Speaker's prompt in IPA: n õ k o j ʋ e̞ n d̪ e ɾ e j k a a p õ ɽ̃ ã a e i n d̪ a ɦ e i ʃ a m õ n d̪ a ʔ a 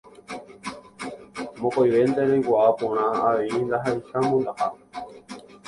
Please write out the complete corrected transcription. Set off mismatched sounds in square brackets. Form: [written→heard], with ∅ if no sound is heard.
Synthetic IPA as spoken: [n→m] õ k o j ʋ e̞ n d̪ e ɾ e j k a a p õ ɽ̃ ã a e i n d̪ a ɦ [e→a] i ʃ a m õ n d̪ a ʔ a